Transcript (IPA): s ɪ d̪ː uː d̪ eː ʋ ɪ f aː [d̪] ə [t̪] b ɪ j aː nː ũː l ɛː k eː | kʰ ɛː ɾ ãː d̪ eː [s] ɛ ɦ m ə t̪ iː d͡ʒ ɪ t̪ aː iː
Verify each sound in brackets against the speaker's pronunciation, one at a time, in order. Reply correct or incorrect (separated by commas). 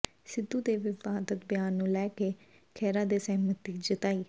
correct, correct, correct